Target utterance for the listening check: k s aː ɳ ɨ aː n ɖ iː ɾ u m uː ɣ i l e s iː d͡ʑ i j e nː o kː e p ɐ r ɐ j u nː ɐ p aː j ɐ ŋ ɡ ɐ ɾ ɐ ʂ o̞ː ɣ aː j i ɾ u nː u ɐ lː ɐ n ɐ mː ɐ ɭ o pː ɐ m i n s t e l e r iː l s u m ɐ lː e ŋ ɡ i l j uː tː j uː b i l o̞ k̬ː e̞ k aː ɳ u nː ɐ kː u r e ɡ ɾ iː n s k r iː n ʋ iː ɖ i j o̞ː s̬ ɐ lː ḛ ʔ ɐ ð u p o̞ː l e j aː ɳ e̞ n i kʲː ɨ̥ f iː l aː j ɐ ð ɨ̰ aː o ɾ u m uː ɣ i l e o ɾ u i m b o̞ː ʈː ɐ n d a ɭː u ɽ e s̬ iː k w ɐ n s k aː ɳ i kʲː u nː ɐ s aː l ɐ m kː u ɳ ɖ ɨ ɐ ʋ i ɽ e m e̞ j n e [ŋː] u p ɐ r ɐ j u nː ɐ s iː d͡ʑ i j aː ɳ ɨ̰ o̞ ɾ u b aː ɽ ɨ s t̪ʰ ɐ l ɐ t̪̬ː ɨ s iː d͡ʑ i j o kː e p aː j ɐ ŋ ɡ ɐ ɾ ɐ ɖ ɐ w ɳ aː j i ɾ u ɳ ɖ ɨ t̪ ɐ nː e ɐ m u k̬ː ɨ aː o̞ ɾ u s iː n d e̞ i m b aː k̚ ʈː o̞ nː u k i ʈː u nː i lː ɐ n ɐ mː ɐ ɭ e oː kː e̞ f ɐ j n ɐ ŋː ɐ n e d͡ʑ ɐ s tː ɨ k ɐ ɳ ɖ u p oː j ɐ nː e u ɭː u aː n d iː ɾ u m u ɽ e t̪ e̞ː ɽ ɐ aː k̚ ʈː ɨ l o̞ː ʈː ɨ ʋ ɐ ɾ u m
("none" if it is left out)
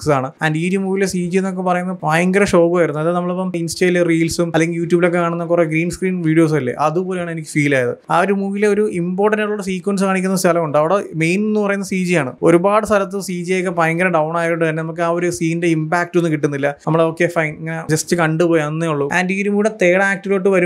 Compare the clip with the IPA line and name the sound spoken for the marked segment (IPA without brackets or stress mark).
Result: nː